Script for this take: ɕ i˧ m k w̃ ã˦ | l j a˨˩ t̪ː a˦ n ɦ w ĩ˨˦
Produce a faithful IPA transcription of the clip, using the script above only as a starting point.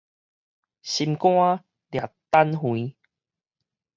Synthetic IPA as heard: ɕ i˧ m k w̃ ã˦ | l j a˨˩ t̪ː a˦ n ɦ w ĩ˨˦